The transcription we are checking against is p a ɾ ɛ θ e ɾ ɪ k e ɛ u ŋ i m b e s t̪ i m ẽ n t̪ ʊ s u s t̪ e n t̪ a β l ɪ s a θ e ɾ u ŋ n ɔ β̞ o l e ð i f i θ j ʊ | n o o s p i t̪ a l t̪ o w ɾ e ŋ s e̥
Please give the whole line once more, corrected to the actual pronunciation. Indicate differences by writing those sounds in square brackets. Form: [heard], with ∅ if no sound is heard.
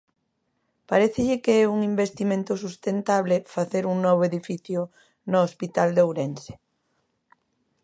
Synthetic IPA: p a ɾ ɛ θ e [ʎ] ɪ k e ɛ u ŋ i m b e s t̪ i m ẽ n t̪ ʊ s u s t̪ e n t̪ a β l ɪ [f] a θ e ɾ u ŋ n ɔ β̞ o [∅] e ð i f i θ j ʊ | n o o s p i t̪ a l [d̪] o w ɾ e [n] s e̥